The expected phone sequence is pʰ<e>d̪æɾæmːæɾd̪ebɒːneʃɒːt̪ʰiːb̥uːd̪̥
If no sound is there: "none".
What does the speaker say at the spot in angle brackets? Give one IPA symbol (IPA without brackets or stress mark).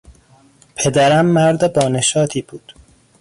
e